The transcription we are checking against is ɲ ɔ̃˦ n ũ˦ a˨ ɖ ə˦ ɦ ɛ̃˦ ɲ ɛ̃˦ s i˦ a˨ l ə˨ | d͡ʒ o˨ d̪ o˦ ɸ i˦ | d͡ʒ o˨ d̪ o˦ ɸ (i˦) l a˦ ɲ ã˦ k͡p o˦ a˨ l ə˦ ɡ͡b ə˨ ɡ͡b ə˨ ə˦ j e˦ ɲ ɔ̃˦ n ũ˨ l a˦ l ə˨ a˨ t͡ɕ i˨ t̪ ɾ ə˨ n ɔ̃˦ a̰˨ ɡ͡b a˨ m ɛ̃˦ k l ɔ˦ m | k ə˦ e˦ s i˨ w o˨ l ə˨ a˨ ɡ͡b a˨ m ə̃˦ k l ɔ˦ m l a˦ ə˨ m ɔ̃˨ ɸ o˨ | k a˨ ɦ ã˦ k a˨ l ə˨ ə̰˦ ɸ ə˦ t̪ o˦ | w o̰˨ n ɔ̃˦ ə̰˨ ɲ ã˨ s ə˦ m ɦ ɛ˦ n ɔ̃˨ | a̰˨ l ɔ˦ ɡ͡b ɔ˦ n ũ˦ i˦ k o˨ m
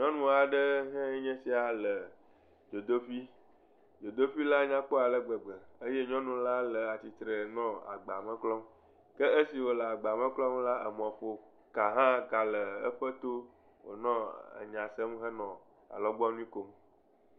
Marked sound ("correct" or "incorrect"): correct